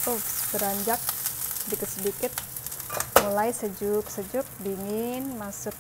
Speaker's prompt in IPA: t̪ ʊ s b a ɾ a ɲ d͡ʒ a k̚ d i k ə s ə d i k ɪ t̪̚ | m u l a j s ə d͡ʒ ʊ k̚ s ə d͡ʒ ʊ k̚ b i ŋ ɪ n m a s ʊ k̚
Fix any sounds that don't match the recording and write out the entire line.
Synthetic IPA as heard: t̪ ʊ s b ə ɾ a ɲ d͡ʒ a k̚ d i k ə s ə d i k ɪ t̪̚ | m u l a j s ə d͡ʒ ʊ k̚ s ə d͡ʒ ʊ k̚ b i ŋ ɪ n m a s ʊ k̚